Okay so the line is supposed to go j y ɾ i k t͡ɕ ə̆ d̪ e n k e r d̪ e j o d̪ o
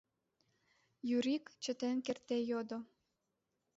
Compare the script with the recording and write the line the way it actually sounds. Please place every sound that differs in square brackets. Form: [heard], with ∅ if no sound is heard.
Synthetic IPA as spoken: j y ɾ i k t͡ɕ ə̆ [t̪] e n k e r [t̪] e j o d̪ o